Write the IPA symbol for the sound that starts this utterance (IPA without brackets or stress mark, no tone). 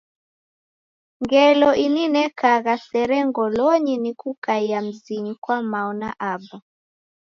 ŋ